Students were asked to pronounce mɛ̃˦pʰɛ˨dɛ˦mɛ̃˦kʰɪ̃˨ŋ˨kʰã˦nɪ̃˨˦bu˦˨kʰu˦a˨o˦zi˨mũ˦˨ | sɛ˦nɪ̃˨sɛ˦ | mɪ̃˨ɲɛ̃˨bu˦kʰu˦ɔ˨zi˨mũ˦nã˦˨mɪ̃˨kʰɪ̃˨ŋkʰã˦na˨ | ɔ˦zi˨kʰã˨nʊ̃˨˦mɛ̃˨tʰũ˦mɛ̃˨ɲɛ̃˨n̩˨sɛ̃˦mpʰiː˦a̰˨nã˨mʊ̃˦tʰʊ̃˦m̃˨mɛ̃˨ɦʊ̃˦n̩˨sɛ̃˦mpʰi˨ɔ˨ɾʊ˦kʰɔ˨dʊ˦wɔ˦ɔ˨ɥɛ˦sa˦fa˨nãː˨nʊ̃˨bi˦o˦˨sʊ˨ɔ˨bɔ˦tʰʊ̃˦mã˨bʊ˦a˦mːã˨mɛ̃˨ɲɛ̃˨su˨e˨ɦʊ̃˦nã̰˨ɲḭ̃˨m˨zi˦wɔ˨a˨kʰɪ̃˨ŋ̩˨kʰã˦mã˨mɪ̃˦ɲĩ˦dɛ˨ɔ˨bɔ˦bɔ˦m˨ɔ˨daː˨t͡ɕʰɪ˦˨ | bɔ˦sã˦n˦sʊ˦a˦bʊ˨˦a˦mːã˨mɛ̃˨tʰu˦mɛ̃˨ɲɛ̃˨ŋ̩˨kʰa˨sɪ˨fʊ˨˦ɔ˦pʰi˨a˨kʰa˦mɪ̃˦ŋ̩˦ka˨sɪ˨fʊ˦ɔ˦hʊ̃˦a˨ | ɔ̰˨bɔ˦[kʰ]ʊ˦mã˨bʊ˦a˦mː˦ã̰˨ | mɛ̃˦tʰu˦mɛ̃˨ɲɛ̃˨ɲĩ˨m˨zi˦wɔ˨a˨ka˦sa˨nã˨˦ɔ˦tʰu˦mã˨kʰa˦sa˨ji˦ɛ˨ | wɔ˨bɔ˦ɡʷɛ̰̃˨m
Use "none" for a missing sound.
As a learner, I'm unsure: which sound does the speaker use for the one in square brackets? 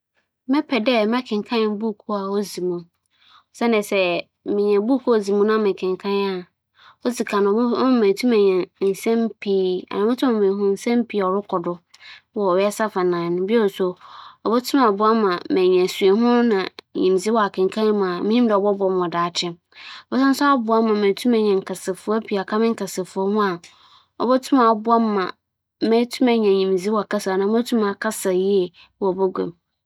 tʰ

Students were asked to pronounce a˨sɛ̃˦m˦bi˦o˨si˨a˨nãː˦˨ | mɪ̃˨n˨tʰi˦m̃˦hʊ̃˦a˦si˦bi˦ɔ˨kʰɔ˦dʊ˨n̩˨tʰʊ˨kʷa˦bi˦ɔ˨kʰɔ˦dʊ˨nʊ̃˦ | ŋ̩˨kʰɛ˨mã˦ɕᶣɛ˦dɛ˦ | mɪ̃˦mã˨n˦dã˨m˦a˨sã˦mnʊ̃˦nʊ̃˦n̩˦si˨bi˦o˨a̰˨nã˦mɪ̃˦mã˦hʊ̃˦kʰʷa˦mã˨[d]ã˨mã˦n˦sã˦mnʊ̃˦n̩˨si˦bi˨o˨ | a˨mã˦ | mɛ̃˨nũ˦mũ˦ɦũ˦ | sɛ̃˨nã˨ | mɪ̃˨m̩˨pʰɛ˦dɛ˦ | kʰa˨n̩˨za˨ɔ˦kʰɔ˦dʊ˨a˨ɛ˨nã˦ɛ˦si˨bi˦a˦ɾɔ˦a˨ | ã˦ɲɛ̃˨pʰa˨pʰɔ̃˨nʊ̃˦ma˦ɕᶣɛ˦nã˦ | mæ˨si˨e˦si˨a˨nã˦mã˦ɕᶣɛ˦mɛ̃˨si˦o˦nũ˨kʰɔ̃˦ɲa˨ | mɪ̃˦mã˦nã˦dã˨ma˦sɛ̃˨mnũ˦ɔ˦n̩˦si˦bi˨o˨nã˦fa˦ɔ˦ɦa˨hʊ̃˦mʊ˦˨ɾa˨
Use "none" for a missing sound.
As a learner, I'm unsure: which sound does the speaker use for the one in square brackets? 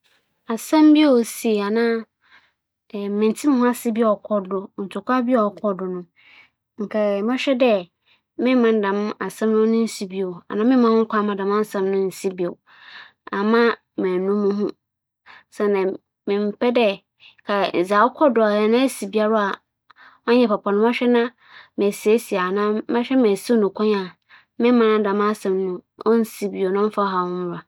d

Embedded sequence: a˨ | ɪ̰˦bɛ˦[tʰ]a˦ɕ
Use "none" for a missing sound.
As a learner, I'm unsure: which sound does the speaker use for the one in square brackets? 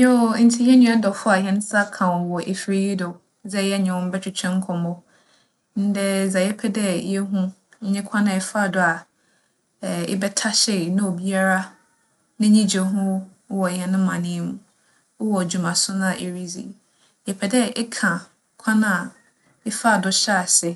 tʰ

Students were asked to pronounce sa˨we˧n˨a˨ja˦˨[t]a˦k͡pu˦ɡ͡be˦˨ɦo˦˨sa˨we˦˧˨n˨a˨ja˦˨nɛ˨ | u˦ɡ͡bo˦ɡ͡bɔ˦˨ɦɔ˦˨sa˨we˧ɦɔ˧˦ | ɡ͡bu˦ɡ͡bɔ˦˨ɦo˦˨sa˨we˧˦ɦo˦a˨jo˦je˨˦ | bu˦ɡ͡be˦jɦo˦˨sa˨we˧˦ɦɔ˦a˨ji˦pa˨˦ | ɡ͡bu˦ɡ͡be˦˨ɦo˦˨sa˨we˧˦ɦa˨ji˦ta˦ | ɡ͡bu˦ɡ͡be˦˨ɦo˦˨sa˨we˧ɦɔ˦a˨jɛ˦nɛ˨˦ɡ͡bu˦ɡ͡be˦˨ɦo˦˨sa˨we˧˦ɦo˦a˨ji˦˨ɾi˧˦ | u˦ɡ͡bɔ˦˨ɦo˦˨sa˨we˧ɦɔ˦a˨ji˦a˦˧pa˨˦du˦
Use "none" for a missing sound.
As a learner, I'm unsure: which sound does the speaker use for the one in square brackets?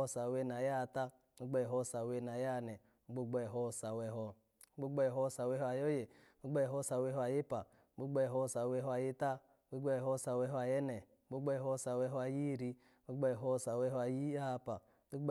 t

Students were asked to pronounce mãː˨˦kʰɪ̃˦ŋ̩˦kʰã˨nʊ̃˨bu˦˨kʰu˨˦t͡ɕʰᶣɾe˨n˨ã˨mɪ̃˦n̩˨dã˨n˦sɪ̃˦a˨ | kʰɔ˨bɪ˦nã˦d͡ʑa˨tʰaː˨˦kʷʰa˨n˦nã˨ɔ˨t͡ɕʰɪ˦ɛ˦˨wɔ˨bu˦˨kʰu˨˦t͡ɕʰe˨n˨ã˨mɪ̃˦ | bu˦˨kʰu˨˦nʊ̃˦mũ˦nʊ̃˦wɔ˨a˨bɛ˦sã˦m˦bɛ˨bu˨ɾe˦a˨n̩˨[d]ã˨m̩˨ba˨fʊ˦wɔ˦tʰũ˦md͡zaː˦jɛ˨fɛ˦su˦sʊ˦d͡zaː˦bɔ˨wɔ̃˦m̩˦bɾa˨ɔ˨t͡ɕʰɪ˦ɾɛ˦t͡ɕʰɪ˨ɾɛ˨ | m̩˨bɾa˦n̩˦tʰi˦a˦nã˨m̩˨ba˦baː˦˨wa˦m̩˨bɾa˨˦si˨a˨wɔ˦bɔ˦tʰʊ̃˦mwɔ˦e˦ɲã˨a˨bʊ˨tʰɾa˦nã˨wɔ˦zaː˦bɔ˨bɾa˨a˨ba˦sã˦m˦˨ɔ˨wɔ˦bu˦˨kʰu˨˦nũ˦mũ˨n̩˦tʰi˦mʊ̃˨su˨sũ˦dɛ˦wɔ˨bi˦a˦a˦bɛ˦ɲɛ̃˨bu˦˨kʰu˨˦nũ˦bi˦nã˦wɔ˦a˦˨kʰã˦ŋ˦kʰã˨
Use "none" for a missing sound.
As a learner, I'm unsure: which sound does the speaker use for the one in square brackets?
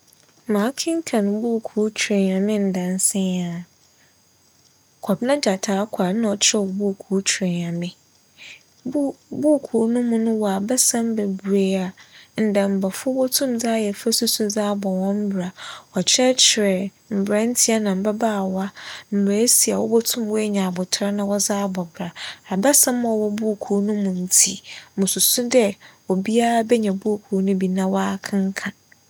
d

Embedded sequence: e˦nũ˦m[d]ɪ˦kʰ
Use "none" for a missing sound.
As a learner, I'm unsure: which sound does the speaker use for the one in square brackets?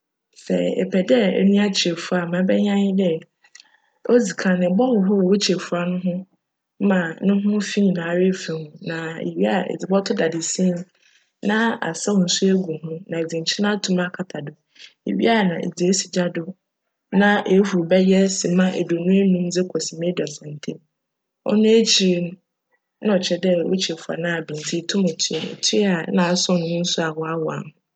d͡z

